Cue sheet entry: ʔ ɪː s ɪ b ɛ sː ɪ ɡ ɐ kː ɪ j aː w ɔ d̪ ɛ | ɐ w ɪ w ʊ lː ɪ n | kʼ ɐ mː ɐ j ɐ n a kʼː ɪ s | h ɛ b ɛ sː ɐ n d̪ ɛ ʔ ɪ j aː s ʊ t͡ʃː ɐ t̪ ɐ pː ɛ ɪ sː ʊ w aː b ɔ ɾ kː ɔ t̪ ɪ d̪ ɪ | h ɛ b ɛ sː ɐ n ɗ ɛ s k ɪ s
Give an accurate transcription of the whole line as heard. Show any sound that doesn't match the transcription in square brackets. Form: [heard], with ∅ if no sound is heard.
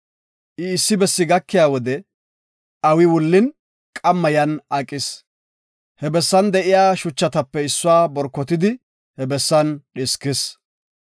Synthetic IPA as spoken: ʔ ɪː [sː] ɪ b ɛ sː ɪ ɡ ɐ kː ɪ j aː w ɔ d̪ ɛ | ɐ w ɪ w ʊ lː ɪ n | kʼ ɐ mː ɐ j ɐ n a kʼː ɪ s | h ɛ b ɛ sː ɐ n d̪ ɛ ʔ ɪ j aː [ʃ] ʊ t͡ʃː ɐ t̪ ɐ pː ɛ ɪ sː ʊ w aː b ɔ ɾ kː ɔ t̪ ɪ d̪ ɪ | h ɛ b ɛ sː ɐ n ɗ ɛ s k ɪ s